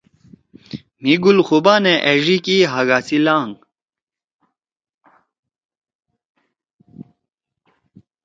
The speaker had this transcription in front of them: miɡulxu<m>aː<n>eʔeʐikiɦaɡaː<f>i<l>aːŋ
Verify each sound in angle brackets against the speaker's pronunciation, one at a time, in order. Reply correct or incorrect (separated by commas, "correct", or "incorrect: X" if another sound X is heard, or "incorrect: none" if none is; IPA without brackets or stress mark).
incorrect: b, correct, incorrect: s, correct